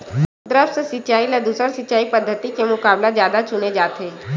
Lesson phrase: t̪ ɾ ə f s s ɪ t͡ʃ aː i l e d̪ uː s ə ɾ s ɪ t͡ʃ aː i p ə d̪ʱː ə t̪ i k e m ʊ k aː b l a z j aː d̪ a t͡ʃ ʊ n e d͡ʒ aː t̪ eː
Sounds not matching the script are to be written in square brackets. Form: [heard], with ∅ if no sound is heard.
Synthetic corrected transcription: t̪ ɾ ə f s s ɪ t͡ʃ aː i l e d̪ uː s ə ɾ s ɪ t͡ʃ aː i p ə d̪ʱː ə t̪ i k e m ʊ k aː b l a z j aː d̪ a t͡ʃ ʊ n e d͡ʒ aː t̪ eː